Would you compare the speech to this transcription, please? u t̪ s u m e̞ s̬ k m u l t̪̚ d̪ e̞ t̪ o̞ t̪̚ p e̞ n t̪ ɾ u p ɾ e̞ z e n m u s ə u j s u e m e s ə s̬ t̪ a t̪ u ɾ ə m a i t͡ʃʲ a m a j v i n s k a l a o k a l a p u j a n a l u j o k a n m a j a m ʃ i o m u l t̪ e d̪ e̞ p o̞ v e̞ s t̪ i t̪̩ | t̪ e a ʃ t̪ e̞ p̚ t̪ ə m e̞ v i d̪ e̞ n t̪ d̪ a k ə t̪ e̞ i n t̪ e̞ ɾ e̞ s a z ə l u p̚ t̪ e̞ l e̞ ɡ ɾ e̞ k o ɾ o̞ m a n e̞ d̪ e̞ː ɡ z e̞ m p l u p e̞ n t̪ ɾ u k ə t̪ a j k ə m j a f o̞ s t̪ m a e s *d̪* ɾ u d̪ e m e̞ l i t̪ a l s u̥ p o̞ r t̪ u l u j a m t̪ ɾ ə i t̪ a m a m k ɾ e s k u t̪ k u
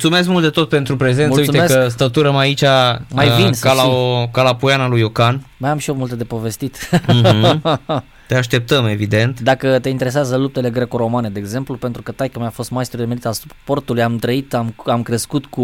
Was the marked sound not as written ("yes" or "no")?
yes